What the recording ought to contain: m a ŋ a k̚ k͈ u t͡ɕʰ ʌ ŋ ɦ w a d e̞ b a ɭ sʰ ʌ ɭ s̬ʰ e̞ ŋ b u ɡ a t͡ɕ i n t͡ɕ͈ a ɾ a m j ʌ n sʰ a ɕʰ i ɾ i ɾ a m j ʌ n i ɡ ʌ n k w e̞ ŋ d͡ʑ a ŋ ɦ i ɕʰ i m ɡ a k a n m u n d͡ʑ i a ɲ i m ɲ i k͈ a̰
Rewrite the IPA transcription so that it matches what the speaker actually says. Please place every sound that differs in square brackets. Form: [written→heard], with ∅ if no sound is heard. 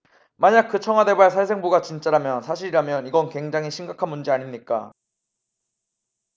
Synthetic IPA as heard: m a [ŋ→ɲ] a k̚ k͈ [u→ɯ] t͡ɕʰ ʌ ŋ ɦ w a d e̞ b a ɭ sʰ [ʌ→a] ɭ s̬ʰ e̞ ŋ b u ɡ a t͡ɕ i n t͡ɕ͈ a ɾ a m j ʌ n sʰ a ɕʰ i ɾ i ɾ a m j ʌ n i ɡ ʌ n k w e̞ ŋ d͡ʑ a ŋ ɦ i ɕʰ i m ɡ a [k→kʰ] a n m u n d͡ʑ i a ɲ i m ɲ i k͈ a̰

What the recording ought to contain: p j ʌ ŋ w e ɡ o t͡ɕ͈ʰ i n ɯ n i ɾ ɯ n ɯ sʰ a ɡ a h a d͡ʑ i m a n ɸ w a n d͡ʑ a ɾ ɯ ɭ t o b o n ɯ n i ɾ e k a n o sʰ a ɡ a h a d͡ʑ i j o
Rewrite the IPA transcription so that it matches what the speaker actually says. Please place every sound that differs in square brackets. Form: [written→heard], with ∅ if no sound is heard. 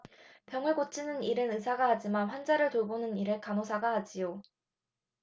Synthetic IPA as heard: p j ʌ ŋ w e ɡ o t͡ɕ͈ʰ i n ɯ n i ɾ ɯ n ɯ sʰ a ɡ a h a d͡ʑ i m a n ɸ w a n d͡ʑ a ɾ ɯ ɭ t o b o n ɯ n i ɾ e k a n o sʰ a ɡ a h a d͡ʑ i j o

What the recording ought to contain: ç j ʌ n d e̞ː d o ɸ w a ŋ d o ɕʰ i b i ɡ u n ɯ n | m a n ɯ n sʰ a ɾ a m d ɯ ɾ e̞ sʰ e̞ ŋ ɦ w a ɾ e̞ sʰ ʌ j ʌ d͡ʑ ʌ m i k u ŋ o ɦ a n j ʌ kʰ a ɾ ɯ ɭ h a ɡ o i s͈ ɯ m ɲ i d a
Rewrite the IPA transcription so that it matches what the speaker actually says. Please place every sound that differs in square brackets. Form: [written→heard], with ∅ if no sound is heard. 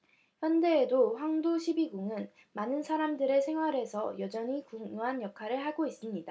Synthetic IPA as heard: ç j ʌ n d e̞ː d o ɸ w a ŋ d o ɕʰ i b i ɡ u [n→ŋ] ɯ n | m a n ɯ n sʰ a ɾ a m d ɯ ɾ e̞ sʰ e̞ ŋ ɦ w a ɾ e̞ sʰ ʌ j ʌ d͡ʑ ʌ [m→ɲ] i k u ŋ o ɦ a n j ʌ kʰ a ɾ ɯ ɭ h a ɡ o i s͈ ɯ m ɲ i d a

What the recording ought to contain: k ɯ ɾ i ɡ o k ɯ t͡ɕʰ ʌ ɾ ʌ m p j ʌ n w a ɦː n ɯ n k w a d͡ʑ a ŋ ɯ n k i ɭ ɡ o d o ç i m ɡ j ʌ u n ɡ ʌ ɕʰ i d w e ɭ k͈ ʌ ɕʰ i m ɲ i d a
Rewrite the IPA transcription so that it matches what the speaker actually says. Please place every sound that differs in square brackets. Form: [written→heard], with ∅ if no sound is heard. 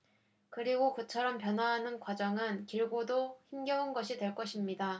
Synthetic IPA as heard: k ɯ ɾ i ɡ o k ɯ t͡ɕʰ ʌ ɾ ʌ m p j ʌ n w a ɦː n ɯ n k w a d͡ʑ [a→ʌ] ŋ ɯ n k i ɭ ɡ o d o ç i m ɡ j ʌ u n ɡ ʌ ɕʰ i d w e ɭ k͈ ʌ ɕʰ i m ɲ i d a

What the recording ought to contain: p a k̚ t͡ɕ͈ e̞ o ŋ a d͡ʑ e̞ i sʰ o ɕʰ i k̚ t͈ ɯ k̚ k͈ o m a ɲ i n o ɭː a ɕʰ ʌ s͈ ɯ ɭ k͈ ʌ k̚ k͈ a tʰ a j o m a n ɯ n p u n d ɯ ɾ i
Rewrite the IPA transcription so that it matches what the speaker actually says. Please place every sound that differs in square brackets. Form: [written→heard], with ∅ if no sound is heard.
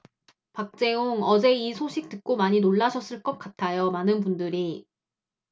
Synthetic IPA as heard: p a k̚ t͡ɕ͈ e̞ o ŋ [a→ʌ] d͡ʑ e̞ i sʰ o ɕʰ i k̚ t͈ ɯ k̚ k͈ o m a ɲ i n o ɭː a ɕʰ ʌ s͈ ɯ ɭ k͈ ʌ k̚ k͈ a tʰ a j o m a n ɯ n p u n d ɯ ɾ i

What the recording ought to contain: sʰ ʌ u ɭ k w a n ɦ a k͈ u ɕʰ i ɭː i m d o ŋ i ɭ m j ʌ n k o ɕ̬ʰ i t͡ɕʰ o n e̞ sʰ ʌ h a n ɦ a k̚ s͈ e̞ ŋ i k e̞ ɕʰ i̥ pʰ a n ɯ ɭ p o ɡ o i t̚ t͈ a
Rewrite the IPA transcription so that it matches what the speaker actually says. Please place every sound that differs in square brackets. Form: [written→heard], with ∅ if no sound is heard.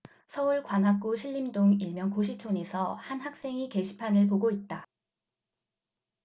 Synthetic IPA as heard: sʰ ʌ u ɭ k w a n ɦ a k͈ u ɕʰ i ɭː i m d o ŋ i ɭ m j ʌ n k o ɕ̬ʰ i t͡ɕʰ o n e̞ sʰ ʌ h a n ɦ a k̚ s͈ e̞ ŋ i k e̞ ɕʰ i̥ pʰ a n ɯ ɭ p o ɡ o i t̚ t͈ a

